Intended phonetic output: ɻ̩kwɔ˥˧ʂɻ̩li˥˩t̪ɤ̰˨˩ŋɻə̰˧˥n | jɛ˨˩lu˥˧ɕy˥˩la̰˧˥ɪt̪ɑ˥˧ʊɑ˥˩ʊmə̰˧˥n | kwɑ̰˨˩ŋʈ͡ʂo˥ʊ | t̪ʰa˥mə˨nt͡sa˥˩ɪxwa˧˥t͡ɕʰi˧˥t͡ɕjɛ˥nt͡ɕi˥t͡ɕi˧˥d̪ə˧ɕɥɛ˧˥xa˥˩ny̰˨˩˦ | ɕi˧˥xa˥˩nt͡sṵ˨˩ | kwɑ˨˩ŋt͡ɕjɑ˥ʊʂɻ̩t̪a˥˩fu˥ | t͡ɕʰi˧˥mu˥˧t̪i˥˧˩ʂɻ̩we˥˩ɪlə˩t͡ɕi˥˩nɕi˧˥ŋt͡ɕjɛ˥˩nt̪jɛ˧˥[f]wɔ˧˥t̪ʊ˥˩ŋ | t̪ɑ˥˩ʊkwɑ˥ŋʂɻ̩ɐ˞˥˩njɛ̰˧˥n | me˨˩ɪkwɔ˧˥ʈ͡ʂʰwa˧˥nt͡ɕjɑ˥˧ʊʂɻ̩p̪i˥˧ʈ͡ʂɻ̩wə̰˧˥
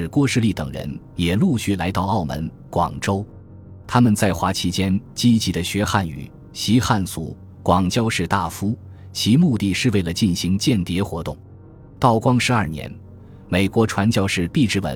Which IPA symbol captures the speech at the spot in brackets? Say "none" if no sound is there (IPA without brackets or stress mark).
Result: x